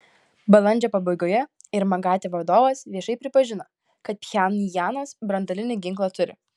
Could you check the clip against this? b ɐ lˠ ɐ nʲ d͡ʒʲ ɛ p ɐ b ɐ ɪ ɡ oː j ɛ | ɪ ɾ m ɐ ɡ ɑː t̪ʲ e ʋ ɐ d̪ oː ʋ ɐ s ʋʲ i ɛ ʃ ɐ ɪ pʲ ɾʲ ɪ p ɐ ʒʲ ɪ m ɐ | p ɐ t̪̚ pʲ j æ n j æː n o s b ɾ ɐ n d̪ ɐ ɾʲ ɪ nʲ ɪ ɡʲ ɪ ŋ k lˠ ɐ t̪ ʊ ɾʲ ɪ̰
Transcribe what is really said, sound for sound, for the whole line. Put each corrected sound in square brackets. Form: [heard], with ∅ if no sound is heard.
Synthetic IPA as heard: b ɐ lˠ ɐ nʲ d͡ʒʲ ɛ p ɐ b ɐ ɪ ɡ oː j ɛ | ɪ ɾ m ɐ ɡ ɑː t̪ʲ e ʋ ɐ d̪ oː ʋ ɐ s ʋʲ i ɛ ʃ ɐ ɪ pʲ ɾʲ ɪ p ɐ ʒʲ ɪ [n] ɐ | [k] ɐ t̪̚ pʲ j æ n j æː n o s b ɾ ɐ n d̪ ɐ [lʲ] ɪ nʲ ɪ ɡʲ ɪ ŋ k lˠ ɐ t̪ ʊ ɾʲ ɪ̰